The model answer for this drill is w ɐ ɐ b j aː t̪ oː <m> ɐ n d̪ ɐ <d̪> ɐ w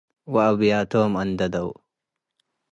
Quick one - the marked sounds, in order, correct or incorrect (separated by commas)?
correct, correct